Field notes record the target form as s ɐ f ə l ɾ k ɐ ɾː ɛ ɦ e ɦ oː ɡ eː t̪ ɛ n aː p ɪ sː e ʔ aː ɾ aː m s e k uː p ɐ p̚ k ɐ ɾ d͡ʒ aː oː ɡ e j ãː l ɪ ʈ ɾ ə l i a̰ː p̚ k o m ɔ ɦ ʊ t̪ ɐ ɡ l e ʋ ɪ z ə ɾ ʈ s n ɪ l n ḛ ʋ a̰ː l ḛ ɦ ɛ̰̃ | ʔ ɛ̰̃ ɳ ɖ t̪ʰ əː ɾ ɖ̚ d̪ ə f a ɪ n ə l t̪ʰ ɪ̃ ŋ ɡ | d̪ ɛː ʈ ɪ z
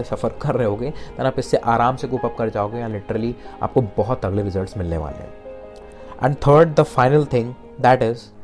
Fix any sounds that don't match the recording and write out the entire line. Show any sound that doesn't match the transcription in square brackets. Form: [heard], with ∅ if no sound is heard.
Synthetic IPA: s ɐ f ə [∅] ɾ k ɐ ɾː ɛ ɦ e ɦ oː ɡ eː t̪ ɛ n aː p ɪ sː e ʔ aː ɾ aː m s e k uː p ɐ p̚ k ɐ ɾ d͡ʒ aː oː ɡ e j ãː l ɪ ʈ ɾ ə l i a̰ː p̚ k o [b] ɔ ɦ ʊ t̪ ɐ ɡ l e ʋ ɪ z ə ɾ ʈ s [m] ɪ l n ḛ ʋ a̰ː l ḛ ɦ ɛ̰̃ | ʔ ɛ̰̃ ɳ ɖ t̪ʰ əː ɾ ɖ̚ d̪ ə f a ɪ n ə l t̪ʰ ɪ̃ ŋ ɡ | d̪ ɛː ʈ ɪ z